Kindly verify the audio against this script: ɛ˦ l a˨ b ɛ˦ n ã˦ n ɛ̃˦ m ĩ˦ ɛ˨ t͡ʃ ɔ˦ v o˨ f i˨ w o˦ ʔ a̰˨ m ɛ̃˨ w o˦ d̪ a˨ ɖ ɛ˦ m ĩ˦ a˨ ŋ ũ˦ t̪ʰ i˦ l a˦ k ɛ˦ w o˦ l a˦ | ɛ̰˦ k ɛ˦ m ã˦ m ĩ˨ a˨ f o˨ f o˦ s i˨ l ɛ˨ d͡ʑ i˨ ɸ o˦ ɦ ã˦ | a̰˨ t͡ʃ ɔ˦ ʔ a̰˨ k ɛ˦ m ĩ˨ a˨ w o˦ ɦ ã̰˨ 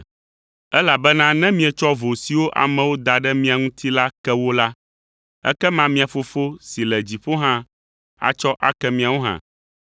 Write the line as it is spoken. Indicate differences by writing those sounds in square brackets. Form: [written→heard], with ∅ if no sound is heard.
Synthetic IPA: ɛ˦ l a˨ b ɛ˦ n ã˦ n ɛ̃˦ m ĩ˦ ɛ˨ t͡ʃ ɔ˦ v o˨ [f→s] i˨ w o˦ ʔ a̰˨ m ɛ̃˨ w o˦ d̪ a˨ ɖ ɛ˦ m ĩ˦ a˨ ŋ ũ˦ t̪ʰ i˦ l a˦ k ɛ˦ w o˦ l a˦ | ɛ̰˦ k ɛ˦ m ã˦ m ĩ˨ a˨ f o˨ f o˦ s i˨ l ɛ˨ d͡ʑ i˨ ɸ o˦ ɦ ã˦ | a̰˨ t͡ʃ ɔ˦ ʔ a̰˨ k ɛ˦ m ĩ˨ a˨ w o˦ ɦ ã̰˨